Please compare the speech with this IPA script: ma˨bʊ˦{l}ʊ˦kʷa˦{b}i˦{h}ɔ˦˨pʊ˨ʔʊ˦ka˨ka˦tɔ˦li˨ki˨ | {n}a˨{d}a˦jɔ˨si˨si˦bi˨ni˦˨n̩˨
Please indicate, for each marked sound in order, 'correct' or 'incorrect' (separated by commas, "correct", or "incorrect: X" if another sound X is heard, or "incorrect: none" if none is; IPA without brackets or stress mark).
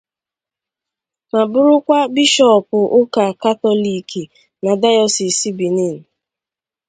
incorrect: ɾ, correct, incorrect: ʃ, correct, correct